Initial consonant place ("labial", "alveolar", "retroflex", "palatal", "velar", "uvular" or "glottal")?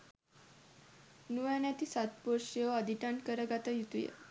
alveolar